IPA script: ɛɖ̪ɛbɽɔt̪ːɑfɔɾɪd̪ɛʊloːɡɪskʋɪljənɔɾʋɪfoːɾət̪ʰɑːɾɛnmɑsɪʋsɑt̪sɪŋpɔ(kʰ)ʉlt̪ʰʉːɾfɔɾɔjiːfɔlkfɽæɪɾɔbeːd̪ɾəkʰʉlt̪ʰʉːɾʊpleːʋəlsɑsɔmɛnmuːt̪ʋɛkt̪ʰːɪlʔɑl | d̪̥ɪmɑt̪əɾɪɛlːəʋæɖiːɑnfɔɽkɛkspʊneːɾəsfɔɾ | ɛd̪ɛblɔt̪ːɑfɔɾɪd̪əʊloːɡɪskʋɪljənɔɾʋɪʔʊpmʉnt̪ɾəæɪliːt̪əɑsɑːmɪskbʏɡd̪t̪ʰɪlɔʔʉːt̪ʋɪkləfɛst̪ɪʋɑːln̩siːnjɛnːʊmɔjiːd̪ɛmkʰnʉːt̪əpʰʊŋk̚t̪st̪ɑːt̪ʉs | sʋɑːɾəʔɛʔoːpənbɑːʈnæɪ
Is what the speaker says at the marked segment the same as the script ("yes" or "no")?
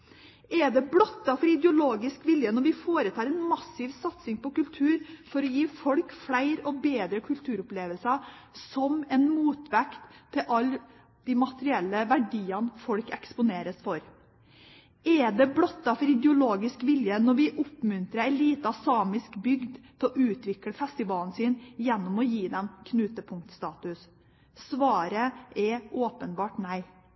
no